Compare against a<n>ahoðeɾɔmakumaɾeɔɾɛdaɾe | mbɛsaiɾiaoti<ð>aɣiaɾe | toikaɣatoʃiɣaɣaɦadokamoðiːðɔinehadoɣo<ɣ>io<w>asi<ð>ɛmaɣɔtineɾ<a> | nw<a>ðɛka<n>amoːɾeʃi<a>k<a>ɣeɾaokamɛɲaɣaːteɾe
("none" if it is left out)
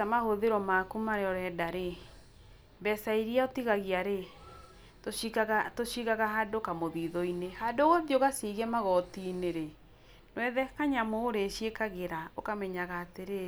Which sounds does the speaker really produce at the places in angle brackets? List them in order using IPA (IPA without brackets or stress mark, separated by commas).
m, ɣ, ð, ɣ, ɣ, e, ɛ, ɲ, e, a